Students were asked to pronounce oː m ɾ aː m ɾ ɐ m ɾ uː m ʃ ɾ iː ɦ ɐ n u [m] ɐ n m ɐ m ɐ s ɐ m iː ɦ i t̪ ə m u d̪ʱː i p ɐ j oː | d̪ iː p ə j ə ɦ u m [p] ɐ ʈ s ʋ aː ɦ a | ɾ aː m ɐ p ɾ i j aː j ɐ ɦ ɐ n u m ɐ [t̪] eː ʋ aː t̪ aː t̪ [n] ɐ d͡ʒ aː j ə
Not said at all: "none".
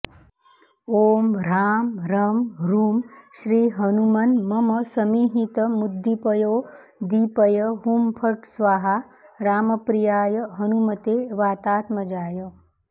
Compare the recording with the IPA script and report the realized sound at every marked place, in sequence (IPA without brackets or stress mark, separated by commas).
m, pʰ, t̪, m